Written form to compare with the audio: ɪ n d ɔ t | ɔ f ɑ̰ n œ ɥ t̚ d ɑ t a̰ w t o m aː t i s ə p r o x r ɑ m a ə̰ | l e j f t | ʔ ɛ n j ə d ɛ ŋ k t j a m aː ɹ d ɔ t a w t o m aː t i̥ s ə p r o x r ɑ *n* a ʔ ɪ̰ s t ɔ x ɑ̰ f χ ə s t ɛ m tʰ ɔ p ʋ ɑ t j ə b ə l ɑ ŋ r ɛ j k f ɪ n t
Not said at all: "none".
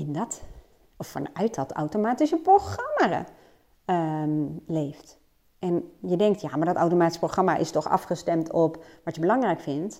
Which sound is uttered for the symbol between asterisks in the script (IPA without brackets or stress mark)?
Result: m